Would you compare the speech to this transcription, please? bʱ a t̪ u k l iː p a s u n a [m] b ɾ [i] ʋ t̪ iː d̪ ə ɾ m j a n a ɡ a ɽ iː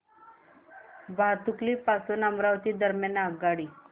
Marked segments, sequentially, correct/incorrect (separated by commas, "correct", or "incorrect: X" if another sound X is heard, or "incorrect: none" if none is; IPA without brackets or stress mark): correct, incorrect: a